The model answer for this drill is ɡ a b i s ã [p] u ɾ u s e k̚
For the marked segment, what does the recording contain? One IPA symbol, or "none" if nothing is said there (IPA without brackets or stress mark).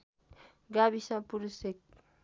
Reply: p